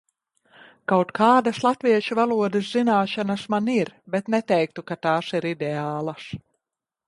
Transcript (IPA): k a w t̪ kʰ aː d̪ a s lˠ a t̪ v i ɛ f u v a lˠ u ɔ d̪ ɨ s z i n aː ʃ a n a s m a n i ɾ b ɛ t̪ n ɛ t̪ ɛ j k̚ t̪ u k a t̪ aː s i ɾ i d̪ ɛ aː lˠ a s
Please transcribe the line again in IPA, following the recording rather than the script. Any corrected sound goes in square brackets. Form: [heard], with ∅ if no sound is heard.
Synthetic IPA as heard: k a w t̪ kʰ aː d̪ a s lˠ a t̪ v i ɛ [ʃ] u v a lˠ u ɔ d̪ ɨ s z i n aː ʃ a n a s m a n i ɾ b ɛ t̪ n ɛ t̪ ɛ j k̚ t̪ u k a t̪ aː s i ɾ i d̪ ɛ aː lˠ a s